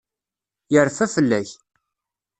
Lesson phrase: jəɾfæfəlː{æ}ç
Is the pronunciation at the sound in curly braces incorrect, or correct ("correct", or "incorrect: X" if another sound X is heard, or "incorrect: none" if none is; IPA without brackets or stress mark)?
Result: correct